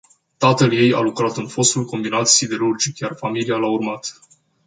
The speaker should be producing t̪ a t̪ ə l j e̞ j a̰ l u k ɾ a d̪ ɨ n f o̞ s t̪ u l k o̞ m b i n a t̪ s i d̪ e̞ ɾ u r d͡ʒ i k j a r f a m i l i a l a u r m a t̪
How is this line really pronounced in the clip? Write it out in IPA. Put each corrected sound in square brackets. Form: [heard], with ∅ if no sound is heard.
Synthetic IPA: t̪ a t̪ ə l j e̞ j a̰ l u k ɾ a [t̪] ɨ n f o̞ s t̪ u l k o̞ m b i n a t̪ s i d̪ e̞ ɾ u r d͡ʒ i k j a r f a m i l i a l a u r m a t̪

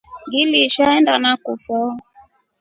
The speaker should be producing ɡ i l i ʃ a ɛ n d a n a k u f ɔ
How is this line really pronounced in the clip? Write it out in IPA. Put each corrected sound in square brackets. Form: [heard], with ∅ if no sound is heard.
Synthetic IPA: ɡ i l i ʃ a ɛ n d a n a k u f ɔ

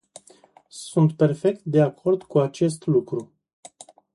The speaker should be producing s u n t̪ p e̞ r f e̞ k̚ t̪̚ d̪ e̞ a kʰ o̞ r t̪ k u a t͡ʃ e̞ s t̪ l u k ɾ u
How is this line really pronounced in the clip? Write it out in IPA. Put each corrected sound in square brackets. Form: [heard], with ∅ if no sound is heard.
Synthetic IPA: s u n t̪ p e̞ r f e̞ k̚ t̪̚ d̪ e̞ a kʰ o̞ r [d̪] k u a t͡ʃ e̞ s t̪ l u k ɾ u

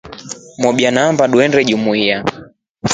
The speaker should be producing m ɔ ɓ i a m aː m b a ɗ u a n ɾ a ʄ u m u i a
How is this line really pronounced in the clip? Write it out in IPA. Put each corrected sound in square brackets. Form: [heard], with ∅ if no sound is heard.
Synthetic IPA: m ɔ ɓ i a [n] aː m b a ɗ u [ɛ] n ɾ [ɛ] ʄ u m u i a

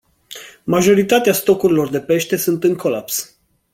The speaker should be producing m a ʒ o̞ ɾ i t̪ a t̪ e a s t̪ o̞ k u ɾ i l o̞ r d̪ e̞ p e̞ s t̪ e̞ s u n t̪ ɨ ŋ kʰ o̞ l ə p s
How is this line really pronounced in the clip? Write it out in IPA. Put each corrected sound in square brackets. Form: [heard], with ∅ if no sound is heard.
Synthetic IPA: m a ʒ o̞ ɾ i t̪ a t̪ e a s t̪ o̞ k u ɾ i l o̞ r d̪ e̞ p e̞ [ʃ] t̪ e̞ s u n t̪ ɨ ŋ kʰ o̞ l [a] p s

